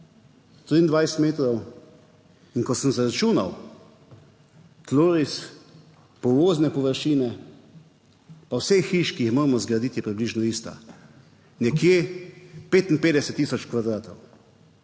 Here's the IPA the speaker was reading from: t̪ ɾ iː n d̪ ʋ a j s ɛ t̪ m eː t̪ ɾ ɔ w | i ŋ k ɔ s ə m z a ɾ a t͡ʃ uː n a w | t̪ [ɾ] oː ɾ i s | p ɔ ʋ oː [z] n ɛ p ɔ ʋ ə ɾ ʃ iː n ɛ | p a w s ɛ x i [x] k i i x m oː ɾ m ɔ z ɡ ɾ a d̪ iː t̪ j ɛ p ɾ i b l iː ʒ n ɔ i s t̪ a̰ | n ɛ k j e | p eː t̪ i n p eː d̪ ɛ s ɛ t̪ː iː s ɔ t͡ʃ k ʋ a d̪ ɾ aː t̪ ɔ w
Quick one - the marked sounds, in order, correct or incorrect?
incorrect, correct, incorrect

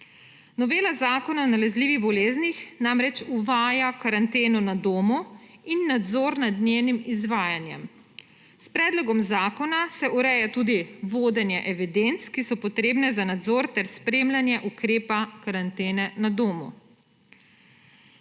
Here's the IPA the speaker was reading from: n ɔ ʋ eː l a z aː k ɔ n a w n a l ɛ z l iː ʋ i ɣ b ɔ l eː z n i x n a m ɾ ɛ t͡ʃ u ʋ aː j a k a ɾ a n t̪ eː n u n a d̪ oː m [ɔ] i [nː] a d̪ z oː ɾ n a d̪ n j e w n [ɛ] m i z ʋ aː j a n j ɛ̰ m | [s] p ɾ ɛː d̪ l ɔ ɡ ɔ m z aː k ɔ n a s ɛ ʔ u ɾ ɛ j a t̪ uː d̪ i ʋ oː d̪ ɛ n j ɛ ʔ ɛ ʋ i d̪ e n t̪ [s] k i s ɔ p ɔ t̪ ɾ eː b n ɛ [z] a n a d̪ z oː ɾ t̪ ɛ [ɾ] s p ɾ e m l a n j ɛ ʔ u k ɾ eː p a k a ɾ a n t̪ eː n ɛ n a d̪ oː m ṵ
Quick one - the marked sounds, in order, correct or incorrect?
incorrect, correct, incorrect, correct, correct, correct, correct

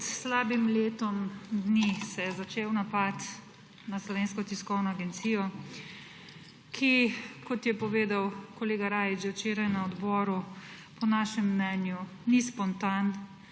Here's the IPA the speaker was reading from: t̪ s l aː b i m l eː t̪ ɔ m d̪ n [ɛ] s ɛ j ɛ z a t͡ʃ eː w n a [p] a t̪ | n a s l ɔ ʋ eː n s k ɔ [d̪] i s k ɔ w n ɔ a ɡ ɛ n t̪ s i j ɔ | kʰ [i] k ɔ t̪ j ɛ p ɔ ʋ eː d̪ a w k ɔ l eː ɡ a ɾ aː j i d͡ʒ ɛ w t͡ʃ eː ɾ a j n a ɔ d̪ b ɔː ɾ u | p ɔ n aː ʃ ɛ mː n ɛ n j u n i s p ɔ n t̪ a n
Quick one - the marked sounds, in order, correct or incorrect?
incorrect, correct, incorrect, correct

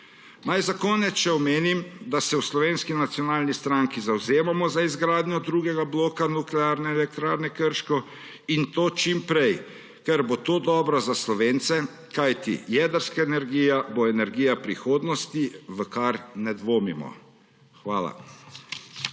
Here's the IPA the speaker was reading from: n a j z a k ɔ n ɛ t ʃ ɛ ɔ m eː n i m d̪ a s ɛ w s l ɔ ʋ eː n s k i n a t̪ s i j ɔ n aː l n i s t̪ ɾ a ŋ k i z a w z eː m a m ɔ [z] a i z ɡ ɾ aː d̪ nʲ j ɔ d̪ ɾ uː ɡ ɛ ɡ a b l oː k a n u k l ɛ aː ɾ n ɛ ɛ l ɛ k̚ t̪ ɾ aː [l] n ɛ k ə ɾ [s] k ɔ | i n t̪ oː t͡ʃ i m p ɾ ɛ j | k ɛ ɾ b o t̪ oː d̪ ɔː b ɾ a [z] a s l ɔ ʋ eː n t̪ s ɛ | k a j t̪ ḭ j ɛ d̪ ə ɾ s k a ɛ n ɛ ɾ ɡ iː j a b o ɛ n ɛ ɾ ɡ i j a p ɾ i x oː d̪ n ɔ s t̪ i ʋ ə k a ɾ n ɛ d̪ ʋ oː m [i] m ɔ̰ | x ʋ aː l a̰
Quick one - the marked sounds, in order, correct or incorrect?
correct, incorrect, incorrect, correct, correct

